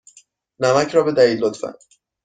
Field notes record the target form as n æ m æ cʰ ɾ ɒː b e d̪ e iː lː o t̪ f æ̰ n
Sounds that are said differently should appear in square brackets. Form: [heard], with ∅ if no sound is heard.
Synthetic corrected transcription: n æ m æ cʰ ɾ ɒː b e d̪ [æ] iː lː o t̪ f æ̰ n